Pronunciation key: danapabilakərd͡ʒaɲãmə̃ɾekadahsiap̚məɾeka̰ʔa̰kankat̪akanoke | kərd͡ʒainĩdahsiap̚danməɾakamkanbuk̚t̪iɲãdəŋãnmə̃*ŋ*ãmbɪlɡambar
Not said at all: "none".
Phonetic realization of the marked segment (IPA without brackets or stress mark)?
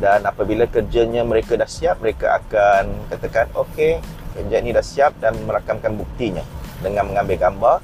ŋ